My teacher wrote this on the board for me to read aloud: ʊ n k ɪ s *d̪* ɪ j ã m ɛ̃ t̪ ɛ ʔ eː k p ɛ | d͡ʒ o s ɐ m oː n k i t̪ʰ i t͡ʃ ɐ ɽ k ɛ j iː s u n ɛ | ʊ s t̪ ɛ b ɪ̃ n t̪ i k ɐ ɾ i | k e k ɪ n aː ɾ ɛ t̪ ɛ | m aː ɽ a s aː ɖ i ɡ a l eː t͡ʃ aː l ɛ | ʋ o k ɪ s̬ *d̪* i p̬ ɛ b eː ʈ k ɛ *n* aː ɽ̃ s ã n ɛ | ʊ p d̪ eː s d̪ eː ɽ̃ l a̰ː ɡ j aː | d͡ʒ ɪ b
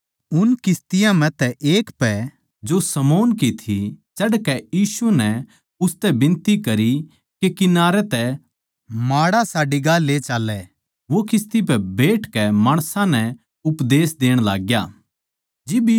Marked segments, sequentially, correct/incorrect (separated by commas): incorrect, incorrect, incorrect